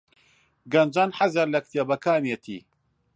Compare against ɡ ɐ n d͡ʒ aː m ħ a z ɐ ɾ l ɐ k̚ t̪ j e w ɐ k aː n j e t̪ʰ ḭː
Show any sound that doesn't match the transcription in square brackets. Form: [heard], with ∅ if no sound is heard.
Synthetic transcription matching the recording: ɡ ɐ n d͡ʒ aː [n] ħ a z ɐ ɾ l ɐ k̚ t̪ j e [b] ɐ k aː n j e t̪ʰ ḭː